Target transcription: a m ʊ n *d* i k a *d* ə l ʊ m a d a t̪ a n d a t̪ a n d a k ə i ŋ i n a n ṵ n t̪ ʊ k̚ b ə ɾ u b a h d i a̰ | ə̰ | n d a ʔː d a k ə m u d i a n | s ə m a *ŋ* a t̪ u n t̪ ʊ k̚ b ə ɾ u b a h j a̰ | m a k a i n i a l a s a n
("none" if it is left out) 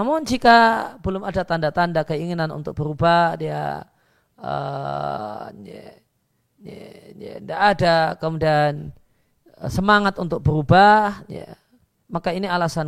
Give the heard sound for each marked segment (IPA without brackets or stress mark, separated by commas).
d͡ʒ, b, ŋ